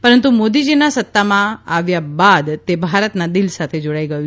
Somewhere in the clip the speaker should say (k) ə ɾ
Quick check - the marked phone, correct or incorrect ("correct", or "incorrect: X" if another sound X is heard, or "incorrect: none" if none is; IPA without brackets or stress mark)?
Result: incorrect: p